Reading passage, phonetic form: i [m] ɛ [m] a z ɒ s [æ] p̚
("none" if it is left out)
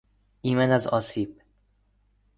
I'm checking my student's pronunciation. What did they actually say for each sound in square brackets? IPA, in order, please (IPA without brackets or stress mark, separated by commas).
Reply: m, n, i